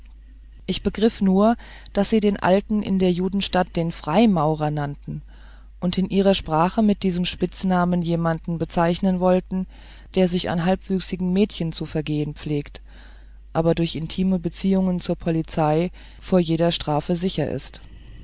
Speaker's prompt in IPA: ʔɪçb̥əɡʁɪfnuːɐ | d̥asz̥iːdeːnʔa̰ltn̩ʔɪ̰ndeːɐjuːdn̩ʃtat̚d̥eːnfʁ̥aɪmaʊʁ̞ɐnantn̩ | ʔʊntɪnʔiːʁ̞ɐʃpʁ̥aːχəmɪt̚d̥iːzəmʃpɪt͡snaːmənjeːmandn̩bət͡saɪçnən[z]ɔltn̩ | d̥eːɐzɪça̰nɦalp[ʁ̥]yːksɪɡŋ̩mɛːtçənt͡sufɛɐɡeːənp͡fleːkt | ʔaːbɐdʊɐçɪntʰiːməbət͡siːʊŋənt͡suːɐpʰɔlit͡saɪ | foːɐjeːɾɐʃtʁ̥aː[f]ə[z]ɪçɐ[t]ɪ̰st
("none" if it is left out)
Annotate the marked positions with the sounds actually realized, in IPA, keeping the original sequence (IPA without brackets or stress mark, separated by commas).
v, v̥, f, z, ʔ